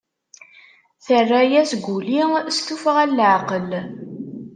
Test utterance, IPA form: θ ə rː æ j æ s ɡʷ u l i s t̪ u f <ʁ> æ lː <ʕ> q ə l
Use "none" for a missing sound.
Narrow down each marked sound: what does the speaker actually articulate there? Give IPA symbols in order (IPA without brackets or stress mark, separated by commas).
ʁ, ʕ